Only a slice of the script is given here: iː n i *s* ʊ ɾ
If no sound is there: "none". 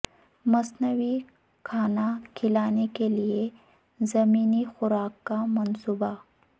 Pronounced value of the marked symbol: x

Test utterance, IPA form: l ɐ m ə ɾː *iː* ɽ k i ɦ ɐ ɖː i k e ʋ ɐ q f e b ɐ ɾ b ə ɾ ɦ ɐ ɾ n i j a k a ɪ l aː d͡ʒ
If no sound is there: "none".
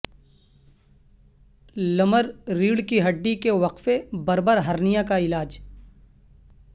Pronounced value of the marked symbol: iː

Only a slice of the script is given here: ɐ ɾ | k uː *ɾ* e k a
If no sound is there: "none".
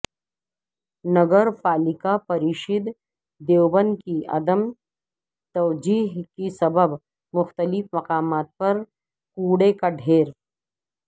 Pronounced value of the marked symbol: ɽ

